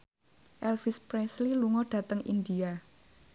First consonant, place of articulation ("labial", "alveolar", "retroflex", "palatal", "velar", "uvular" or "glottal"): glottal